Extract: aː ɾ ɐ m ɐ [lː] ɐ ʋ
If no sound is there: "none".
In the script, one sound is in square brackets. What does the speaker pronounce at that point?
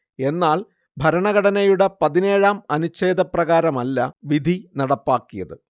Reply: lː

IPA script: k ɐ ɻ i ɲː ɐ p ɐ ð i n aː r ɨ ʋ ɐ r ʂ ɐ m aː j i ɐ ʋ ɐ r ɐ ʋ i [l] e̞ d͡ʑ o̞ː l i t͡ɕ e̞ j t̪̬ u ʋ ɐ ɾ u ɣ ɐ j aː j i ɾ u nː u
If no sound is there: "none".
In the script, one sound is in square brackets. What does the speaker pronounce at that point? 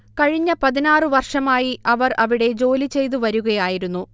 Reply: ɽ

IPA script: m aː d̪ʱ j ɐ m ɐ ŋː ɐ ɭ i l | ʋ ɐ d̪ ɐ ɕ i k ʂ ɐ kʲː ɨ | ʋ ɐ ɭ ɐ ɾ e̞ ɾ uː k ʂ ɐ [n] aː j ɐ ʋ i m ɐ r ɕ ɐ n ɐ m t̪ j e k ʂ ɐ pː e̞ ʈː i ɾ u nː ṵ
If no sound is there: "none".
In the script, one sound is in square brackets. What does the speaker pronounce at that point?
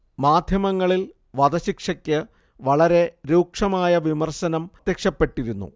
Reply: m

